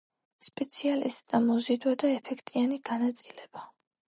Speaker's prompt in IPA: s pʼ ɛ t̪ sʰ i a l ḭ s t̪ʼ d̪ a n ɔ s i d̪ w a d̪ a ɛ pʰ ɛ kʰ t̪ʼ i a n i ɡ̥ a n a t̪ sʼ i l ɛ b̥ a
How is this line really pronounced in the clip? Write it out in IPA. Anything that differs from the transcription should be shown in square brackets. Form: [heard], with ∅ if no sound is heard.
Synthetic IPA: s pʼ ɛ t̪ sʰ i a l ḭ s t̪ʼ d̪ a [m] ɔ [z] i d̪ w a d̪ a ɛ pʰ ɛ kʰ t̪ʼ i a n i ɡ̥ a n a t̪ sʼ i l ɛ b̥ a